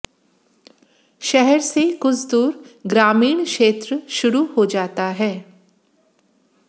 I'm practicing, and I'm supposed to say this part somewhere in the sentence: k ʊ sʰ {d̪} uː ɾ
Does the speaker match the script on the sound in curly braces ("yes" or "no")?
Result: yes